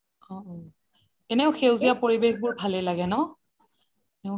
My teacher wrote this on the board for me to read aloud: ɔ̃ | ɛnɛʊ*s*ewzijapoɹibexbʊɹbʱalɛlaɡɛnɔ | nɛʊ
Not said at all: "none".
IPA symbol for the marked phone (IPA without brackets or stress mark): x